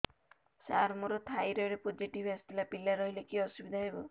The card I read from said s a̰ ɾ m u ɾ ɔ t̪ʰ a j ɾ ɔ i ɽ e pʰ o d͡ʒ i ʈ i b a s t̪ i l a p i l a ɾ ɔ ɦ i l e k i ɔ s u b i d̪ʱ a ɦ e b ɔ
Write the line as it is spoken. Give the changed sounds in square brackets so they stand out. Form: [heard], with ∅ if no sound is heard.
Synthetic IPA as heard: s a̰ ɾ m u ɾ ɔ t̪ʰ a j ɾ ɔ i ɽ e [p] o d͡ʒ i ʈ i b a s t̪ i l a p i l a ɾ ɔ ɦ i l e k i ɔ s u b i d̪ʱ a ɦ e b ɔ